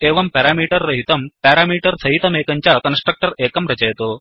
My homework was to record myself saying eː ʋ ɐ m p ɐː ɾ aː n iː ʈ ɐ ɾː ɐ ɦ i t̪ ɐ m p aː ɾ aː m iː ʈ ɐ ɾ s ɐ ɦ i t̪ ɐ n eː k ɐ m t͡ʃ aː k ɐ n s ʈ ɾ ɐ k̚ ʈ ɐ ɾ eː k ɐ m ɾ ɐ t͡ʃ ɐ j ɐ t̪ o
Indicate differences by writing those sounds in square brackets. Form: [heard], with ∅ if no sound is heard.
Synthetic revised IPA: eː ʋ ɐ m p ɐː ɾ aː [m] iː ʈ ɐ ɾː ɐ ɦ i t̪ ɐ m p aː ɾ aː m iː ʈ ɐ ɾ s ɐ ɦ i t̪ ɐ [m] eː k ɐ [ɲ] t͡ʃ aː k ɐ n s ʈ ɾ ɐ k̚ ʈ ɐ ɾ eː k ɐ m ɾ ɐ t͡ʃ ɐ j ɐ t̪ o